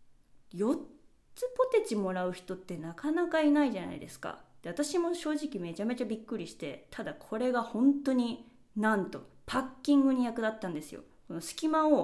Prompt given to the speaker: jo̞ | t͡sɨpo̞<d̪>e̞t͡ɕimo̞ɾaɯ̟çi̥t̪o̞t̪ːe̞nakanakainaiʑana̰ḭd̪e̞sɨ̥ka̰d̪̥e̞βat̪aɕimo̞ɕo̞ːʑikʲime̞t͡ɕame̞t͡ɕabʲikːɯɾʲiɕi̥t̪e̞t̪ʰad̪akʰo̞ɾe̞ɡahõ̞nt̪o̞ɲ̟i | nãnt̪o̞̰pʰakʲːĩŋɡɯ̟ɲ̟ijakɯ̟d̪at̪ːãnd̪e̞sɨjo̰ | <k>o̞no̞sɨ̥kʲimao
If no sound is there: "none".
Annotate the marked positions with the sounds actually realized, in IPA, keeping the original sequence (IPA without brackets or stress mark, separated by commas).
t̪, k